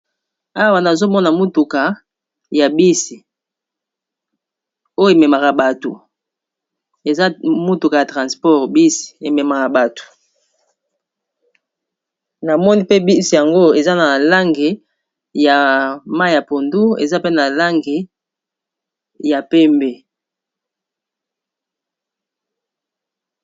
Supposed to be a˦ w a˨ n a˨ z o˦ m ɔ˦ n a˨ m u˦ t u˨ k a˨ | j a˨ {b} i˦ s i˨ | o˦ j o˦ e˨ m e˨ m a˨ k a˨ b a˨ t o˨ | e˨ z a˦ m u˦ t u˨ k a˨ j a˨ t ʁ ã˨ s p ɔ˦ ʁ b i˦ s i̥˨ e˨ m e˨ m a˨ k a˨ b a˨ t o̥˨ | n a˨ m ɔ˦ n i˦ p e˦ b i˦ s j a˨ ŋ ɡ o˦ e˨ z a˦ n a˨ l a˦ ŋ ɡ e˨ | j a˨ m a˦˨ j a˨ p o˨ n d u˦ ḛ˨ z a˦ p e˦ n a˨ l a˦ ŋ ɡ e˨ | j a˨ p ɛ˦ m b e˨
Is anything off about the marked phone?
no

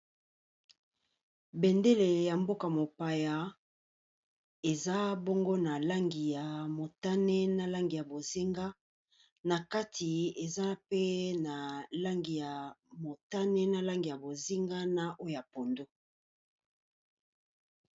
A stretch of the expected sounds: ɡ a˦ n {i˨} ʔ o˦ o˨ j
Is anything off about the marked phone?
yes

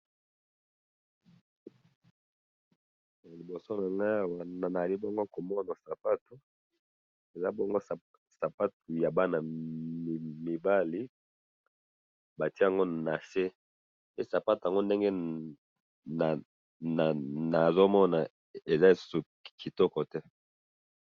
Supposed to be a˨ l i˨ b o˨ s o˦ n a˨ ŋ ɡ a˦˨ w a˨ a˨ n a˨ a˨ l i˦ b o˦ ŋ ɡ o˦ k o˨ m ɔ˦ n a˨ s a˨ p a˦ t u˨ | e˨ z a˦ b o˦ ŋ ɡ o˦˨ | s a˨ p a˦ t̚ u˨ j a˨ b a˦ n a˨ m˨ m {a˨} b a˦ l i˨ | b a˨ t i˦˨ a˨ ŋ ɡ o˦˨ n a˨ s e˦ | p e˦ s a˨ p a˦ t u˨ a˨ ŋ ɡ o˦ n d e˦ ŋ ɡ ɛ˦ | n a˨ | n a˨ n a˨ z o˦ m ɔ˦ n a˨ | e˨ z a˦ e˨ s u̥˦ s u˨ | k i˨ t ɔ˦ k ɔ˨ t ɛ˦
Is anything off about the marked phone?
yes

